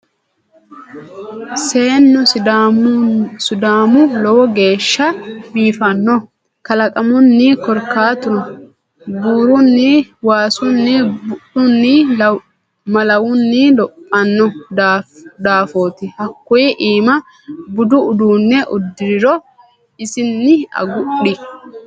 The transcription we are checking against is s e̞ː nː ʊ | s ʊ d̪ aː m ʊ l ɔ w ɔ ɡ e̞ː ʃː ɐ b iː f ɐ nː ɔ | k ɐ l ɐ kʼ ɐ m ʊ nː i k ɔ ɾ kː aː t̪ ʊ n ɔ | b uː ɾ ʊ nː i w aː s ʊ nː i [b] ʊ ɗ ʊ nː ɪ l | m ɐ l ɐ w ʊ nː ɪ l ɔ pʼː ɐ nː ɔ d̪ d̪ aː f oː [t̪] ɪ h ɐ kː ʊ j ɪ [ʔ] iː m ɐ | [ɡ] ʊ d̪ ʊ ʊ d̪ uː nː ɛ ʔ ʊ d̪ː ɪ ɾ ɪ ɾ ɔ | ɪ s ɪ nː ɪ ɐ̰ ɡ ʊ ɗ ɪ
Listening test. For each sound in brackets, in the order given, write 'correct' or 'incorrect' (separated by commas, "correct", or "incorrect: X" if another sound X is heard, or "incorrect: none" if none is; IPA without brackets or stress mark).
correct, correct, correct, incorrect: b